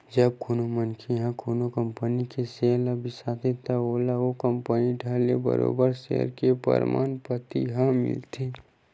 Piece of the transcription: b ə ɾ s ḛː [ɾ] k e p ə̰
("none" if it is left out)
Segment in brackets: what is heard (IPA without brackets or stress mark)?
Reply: ɾ